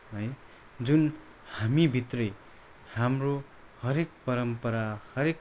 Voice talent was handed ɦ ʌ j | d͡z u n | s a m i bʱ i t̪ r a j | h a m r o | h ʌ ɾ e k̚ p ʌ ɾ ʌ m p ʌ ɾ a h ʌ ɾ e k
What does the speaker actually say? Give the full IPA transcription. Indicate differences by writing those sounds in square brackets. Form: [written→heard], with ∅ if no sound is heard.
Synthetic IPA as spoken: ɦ ʌ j | d͡z u n | [s→h] a m i bʱ i t̪ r [a→ʌ] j | h a m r o | h ʌ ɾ e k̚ p ʌ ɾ ʌ m p ʌ ɾ a h ʌ ɾ e k